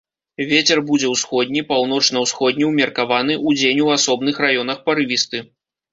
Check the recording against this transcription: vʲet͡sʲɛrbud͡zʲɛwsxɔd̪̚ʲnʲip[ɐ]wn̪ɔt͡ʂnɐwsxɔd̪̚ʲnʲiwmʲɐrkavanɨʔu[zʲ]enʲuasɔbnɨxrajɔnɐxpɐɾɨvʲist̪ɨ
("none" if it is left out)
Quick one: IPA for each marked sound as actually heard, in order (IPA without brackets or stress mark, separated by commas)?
a, d͡zʲ